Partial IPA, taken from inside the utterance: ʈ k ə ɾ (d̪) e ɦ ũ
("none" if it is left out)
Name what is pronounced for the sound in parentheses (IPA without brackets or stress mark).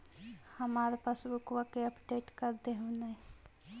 d̪